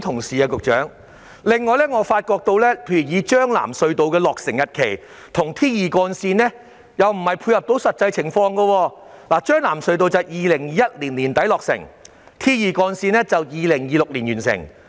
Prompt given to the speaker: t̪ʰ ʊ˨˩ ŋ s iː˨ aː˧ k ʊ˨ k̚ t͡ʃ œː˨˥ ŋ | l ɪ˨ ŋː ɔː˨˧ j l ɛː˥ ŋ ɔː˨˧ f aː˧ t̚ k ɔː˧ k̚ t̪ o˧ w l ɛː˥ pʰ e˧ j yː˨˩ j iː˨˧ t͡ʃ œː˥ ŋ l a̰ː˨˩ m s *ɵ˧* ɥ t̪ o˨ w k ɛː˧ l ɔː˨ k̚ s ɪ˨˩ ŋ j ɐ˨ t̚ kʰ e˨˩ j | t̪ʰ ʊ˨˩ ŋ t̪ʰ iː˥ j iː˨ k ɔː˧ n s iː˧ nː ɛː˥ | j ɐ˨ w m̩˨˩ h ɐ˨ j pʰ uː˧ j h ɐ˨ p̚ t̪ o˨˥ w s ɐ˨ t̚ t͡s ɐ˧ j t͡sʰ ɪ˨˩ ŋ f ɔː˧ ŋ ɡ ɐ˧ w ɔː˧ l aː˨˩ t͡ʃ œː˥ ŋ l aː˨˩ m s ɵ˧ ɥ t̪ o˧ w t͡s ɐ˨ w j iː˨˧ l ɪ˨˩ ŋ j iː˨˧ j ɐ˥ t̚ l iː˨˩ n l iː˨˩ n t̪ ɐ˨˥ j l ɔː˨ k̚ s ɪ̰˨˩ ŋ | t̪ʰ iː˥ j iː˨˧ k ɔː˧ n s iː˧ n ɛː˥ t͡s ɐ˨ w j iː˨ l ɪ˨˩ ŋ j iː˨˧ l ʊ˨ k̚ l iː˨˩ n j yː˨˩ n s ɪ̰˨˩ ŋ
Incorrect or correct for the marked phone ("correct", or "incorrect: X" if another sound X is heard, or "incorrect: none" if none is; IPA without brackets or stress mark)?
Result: correct